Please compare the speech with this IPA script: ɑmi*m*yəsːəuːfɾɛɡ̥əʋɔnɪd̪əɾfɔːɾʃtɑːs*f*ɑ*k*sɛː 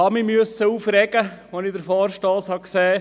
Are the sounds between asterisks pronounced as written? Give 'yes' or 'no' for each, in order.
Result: yes, no, yes

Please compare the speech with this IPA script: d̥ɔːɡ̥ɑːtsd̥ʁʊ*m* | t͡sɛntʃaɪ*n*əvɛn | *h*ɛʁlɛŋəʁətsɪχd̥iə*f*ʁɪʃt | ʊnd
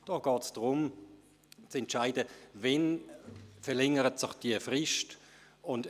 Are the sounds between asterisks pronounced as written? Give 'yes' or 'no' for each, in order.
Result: yes, no, no, yes

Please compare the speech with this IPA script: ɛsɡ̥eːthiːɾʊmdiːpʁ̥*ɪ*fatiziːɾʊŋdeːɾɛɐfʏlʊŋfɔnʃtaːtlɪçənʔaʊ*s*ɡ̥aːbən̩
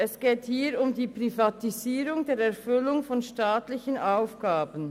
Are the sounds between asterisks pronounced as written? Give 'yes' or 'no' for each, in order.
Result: no, no

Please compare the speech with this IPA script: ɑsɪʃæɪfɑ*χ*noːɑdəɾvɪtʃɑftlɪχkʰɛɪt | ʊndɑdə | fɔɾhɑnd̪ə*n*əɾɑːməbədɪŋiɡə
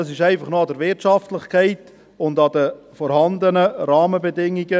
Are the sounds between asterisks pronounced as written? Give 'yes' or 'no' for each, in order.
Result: yes, yes

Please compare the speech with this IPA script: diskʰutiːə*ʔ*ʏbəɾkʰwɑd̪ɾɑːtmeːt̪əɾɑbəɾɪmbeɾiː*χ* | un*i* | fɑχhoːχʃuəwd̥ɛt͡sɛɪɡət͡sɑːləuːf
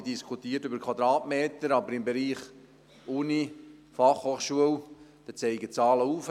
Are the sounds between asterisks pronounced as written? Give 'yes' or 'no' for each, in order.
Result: no, yes, yes

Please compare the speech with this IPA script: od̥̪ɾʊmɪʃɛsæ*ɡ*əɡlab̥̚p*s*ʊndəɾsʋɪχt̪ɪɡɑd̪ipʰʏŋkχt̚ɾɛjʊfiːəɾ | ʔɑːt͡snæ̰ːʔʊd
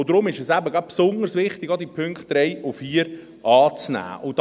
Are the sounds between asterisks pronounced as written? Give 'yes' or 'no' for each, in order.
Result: no, yes

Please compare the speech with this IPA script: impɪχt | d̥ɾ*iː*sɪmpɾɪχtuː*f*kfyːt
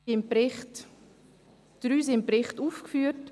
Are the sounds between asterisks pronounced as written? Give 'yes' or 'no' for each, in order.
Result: no, yes

